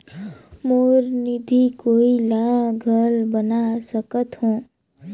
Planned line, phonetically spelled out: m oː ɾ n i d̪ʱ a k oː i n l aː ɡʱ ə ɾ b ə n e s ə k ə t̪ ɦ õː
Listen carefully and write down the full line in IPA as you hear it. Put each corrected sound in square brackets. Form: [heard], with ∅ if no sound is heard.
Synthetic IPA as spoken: m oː ɾ n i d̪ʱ [i] k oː i [∅] l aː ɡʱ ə [l] b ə n [a] s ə k ə t̪ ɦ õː